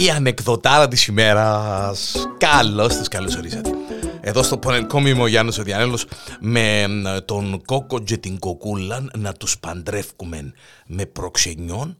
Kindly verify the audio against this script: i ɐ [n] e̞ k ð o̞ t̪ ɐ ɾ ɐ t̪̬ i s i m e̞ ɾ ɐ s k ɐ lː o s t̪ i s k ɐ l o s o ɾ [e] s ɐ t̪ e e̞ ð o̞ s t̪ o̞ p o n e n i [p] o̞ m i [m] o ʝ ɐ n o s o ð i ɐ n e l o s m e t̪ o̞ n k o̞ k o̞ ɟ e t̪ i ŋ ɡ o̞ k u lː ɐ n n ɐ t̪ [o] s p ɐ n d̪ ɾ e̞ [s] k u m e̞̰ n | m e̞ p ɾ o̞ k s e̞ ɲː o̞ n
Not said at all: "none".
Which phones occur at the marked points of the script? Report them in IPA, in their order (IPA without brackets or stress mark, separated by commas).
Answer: n, i, k, m, u, f